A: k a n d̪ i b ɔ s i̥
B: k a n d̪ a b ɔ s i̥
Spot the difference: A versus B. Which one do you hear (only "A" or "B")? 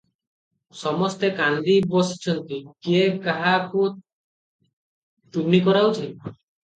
A